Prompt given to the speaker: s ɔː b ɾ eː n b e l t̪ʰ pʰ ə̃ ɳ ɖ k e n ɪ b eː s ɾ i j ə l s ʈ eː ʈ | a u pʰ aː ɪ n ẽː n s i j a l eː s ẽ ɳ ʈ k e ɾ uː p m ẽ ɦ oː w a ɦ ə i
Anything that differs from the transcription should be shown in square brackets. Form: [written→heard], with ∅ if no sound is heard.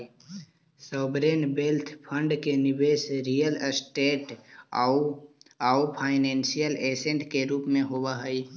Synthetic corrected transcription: s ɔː b ɾ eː n b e l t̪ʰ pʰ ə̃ ɳ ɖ k e n ɪ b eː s ɾ i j ə l s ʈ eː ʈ | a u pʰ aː ɪ n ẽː n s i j [a→ə] l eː s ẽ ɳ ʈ k e ɾ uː p m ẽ ɦ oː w a ɦ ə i

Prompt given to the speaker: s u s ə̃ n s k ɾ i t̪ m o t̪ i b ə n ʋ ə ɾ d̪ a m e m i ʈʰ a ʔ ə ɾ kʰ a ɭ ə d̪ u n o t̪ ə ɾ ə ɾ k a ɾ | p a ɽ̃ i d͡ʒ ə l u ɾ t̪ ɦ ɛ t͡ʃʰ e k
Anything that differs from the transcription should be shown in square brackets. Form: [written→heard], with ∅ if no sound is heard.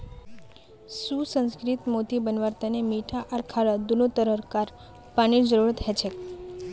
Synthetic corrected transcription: s u s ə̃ n s k ɾ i t̪ m o t̪ i b ə n ʋ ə ɾ [d̪→t̪] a [m→n] e m i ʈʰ a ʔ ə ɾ kʰ a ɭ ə d̪ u n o t̪ ə ɾ ə ɾ k a ɾ | p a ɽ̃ i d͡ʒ ə [l→ɾ] u ɾ t̪ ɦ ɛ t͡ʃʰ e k

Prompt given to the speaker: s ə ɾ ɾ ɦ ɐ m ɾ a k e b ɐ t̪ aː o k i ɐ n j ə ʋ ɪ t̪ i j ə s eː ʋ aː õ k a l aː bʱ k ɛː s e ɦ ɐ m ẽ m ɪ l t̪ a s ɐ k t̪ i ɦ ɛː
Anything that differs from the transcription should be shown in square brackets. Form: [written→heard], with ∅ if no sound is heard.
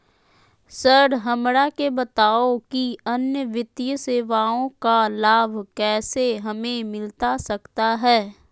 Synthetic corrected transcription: s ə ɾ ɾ ɦ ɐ m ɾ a k e b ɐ t̪ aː o k i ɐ n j ə ʋ ɪ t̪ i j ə s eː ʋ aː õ k a l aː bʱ k ɛː s e ɦ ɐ m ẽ m ɪ l t̪ a s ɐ k t̪ [i→a] ɦ ɛː

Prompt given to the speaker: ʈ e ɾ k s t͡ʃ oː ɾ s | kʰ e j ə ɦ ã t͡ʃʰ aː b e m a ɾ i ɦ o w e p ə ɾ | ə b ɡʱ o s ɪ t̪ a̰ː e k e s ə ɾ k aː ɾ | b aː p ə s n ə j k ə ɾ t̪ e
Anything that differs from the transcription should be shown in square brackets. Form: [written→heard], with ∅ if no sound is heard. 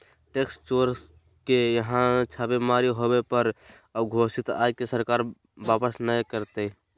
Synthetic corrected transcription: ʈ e [ɾ→∅] k s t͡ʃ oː ɾ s | [kʰ→k] e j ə ɦ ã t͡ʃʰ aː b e m a ɾ i ɦ o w e p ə ɾ | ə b ɡʱ o s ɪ t̪ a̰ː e k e s ə ɾ k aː ɾ | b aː p ə s n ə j k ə ɾ t̪ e

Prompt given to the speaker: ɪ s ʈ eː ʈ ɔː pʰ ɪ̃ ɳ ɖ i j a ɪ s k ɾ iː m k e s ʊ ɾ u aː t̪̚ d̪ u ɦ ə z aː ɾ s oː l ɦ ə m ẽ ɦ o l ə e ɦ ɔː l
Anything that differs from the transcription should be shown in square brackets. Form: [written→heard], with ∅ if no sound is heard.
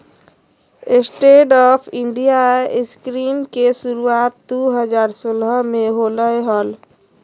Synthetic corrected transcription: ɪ s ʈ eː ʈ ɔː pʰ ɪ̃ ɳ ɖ i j a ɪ s k ɾ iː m k e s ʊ ɾ u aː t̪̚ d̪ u ɦ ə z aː ɾ s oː l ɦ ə m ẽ ɦ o l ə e ɦ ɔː l

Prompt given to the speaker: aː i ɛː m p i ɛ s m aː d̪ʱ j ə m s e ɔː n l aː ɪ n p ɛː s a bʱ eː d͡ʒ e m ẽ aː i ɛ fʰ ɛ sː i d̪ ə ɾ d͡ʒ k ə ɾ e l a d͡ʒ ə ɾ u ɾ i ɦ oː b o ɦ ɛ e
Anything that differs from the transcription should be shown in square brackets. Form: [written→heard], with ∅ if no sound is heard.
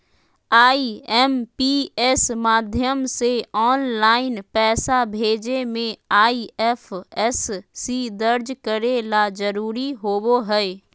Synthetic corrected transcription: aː i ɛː m p i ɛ s m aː d̪ʱ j ə m s e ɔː n l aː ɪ n p ɛː s a bʱ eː d͡ʒ e m ẽ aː i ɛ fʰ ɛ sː i d̪ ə ɾ d͡ʒ k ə ɾ e l a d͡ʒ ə ɾ [u→uː] ɾ i ɦ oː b o ɦ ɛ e

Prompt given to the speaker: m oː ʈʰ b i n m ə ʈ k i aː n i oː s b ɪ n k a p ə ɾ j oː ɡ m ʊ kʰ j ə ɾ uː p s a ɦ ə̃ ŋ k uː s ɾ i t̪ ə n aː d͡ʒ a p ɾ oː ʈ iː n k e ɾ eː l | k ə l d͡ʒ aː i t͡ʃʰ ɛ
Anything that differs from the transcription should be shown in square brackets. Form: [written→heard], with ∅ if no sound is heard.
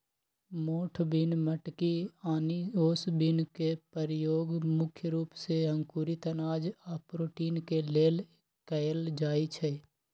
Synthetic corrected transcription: m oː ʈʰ b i n m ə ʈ k i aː n i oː s b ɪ n k [a→e] p ə ɾ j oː ɡ m ʊ kʰ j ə ɾ uː p s [a→e] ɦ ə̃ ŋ k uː [s→∅] ɾ i t̪ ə n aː d͡ʒ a p ɾ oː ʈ iː n k e [ɾ→l] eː l | k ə l d͡ʒ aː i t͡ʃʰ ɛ

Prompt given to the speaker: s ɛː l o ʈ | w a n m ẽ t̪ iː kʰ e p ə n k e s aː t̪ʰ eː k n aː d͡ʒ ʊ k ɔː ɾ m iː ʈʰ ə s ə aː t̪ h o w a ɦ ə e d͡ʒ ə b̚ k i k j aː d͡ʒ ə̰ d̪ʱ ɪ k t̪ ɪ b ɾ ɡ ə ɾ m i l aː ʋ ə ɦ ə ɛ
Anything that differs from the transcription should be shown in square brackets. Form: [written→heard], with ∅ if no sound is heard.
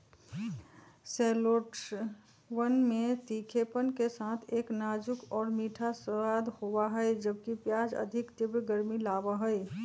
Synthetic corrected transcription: s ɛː l o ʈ | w [a→ə] n m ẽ t̪ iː kʰ e p ə n k e s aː t̪ʰ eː k n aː d͡ʒ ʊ k ɔː ɾ m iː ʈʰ [ə→a] s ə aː [t̪→d̪] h o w a ɦ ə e d͡ʒ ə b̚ k i [k→p] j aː d͡ʒ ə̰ d̪ʱ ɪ k t̪ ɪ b ɾ ɡ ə ɾ m i l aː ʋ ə ɦ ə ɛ

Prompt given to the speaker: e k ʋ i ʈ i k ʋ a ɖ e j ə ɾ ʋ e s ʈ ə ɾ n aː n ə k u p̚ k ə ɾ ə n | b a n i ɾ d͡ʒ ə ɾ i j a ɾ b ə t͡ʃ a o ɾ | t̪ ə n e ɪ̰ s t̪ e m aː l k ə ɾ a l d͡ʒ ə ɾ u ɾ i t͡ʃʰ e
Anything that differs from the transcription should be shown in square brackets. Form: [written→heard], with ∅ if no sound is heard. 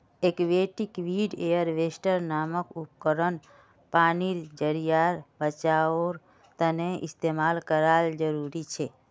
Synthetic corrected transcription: e k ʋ [i→e] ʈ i k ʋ [a→i] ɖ e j ə ɾ ʋ e s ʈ ə ɾ n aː [n→m] ə k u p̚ k ə ɾ ə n | [b→p] a n i ɾ d͡ʒ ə ɾ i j a ɾ b ə t͡ʃ a o ɾ | t̪ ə n e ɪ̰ s t̪ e m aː l k ə ɾ a l d͡ʒ ə ɾ u ɾ i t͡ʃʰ e

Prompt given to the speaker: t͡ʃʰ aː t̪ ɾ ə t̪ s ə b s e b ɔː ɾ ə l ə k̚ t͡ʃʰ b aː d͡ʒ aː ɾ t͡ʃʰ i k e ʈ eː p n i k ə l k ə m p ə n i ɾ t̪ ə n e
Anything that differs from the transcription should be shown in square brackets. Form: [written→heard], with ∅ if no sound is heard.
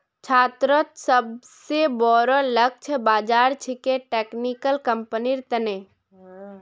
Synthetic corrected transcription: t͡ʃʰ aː t̪ ɾ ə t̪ s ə b s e b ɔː ɾ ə l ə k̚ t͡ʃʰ b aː d͡ʒ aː ɾ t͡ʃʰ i k e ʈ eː [p→k] n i k ə l k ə m p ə n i ɾ t̪ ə n e

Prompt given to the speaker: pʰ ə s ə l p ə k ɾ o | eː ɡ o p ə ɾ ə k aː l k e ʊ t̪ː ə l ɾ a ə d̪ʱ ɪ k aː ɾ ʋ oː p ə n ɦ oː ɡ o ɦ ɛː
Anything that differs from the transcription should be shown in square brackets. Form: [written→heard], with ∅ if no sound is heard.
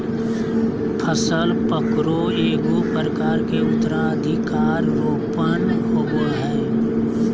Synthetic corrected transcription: pʰ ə s ə l p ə k ɾ o | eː ɡ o p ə ɾ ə k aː [l→ɾ] k e ʊ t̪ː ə [l→∅] ɾ a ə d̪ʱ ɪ k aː ɾ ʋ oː p ə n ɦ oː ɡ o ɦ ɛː

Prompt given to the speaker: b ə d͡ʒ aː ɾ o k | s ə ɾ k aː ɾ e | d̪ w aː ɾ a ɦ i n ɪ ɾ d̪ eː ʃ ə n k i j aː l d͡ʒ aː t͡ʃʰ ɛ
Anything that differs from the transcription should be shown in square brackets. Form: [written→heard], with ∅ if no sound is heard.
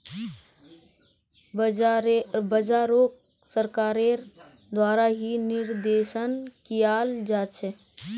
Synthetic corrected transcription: b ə d͡ʒ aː ɾ o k | s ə ɾ k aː ɾ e | d̪ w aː ɾ a ɦ i n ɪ ɾ d̪ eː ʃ ə n k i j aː l d͡ʒ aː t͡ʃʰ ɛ

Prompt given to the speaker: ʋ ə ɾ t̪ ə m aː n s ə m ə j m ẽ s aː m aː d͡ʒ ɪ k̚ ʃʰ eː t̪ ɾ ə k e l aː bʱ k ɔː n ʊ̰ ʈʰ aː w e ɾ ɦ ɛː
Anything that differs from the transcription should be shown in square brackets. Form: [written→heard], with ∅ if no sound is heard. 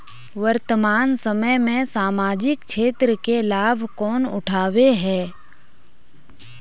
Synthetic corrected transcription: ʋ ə ɾ t̪ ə m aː n s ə m ə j m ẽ s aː m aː d͡ʒ ɪ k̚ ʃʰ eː t̪ ɾ ə k e l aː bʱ k ɔː n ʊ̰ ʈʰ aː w e [ɾ→∅] ɦ ɛː

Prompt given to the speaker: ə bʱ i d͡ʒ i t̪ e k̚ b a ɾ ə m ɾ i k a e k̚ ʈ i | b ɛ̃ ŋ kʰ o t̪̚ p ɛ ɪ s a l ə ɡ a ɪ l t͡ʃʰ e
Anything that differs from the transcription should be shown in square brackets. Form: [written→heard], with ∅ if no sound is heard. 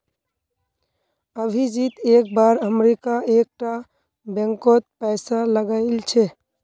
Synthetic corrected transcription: ə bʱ i d͡ʒ i t̪ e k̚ b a ɾ ə m ɾ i k a e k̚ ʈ [i→a] | b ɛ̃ ŋ [kʰ→k] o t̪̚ p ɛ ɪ s a l ə ɡ a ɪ l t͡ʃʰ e

